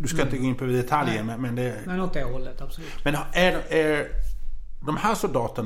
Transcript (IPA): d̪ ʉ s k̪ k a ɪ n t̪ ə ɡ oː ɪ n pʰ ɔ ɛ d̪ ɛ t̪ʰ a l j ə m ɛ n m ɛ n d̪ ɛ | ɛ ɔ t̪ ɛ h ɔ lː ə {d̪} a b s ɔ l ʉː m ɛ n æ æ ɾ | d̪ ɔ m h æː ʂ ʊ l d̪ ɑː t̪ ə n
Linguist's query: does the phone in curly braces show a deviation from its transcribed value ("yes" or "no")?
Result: yes